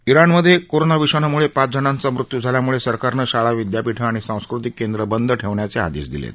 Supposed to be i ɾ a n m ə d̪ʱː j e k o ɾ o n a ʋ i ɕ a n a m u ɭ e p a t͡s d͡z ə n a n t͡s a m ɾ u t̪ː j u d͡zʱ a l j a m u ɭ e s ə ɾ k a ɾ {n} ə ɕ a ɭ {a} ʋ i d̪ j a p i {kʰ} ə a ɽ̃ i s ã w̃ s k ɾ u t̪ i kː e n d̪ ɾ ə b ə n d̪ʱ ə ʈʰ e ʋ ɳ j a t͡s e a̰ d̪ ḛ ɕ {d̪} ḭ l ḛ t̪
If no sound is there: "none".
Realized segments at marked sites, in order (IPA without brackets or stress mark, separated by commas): n, a, ʈʰ, d̪